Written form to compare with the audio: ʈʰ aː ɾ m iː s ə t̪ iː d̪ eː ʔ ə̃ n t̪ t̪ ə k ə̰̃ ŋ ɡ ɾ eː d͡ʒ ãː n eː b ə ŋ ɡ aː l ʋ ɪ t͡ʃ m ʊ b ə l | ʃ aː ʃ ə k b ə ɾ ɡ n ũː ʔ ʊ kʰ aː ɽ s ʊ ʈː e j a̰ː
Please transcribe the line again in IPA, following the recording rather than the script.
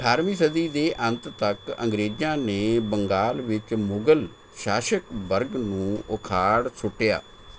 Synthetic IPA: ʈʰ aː ɾ m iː s ə d̪ iː d̪ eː ʔ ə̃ n t̪ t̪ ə k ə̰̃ ŋ ɡ ɾ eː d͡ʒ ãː n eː b ə ŋ ɡ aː l ʋ ɪ t͡ʃ m ʊ ɡ ə l | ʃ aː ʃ ə k b ə ɾ ɡ n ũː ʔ ʊ kʰ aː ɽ s ʊ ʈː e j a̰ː